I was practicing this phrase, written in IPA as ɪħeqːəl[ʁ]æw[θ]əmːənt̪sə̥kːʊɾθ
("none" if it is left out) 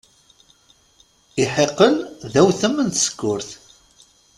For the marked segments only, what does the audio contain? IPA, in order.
ð, θ

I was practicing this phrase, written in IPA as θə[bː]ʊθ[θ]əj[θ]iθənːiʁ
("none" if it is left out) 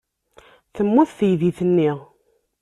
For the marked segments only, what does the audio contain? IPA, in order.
mː, θ, ð

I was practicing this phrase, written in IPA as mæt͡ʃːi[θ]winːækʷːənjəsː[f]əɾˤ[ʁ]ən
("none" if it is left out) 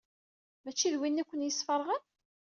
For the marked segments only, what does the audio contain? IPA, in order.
ð, f, ʁ

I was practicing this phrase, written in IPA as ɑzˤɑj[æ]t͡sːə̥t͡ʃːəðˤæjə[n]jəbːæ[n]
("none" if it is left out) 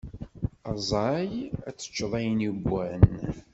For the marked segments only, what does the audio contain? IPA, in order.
æ, n, n

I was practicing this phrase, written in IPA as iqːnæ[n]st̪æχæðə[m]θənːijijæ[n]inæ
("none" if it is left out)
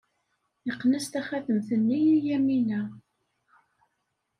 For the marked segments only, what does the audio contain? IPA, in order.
none, m, m

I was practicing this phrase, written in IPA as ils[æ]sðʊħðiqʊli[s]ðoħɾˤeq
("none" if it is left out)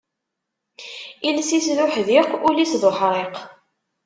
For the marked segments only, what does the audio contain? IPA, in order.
i, s

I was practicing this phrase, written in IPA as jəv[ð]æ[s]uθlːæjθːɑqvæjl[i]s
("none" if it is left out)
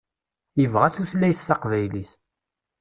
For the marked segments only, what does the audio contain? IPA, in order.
ʁ, θ, i

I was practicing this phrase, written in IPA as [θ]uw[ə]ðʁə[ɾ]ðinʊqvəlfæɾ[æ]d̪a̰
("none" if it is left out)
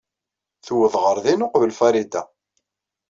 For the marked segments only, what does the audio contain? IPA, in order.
θ, ə, ɾ, i

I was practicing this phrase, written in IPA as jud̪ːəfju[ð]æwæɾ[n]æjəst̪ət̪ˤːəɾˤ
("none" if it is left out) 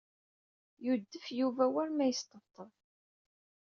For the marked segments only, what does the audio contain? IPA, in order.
v, m

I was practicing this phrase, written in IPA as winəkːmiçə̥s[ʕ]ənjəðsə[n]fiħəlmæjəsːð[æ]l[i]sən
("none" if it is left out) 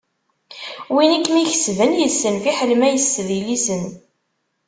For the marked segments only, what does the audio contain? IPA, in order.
v, n, i, i

